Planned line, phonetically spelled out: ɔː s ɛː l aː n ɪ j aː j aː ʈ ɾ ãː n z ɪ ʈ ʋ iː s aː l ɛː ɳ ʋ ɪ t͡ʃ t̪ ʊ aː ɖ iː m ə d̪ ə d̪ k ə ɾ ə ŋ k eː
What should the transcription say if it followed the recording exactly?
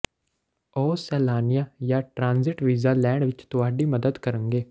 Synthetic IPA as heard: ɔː s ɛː l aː n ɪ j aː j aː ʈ ɾ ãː n z ɪ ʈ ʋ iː z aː l ɛː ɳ ʋ ɪ t͡ʃ t̪ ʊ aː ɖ iː m ə d̪ ə d̪ k ə ɾ ə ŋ ɡ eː